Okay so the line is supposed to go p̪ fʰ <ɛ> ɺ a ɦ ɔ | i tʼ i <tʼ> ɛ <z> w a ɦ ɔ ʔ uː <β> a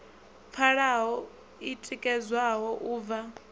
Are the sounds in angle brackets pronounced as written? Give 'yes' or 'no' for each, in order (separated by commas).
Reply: no, no, yes, no